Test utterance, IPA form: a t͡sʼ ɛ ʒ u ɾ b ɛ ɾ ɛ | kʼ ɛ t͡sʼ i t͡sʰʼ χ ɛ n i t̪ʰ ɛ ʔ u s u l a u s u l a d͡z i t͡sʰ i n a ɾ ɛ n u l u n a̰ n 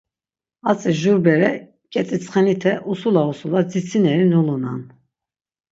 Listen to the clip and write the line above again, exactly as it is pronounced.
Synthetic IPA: a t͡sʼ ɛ ʒ u ɾ b ɛ ɾ ɛ | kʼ ɛ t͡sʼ i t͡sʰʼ χ ɛ n i t̪ʰ ɛ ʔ u s u l a u s u l a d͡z i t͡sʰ i n ɛ ɾ i n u l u n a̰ n